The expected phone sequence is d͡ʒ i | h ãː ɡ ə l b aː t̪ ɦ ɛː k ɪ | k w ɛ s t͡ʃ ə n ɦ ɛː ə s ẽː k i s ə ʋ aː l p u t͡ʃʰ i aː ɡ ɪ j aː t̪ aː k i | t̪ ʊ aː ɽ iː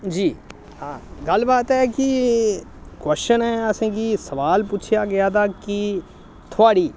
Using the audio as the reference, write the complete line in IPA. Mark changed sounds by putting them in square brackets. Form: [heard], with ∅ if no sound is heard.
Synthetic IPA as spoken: d͡ʒ [iː] | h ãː ɡ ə l b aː t̪ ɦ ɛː k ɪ | k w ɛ s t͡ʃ ə n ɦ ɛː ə s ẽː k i s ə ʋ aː l p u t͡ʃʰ [j] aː ɡ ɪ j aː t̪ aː k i | [t̪ʰ] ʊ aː ɽ iː